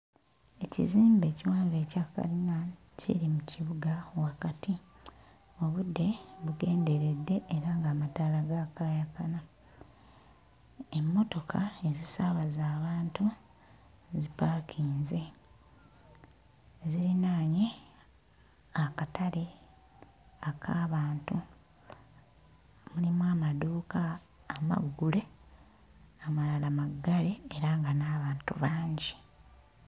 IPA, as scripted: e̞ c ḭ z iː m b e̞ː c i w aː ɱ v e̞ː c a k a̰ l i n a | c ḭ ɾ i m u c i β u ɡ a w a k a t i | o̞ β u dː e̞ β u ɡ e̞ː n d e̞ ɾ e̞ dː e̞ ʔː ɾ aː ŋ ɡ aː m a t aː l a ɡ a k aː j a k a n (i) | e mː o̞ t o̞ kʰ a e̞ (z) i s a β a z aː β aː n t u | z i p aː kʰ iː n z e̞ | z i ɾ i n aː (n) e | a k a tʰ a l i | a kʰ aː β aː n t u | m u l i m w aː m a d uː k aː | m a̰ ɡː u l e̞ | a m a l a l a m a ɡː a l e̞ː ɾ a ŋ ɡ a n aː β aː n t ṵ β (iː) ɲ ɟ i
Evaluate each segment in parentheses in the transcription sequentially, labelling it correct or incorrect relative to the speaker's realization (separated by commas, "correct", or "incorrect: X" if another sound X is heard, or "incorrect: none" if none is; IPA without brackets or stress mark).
incorrect: a, correct, incorrect: ɲ, incorrect: aː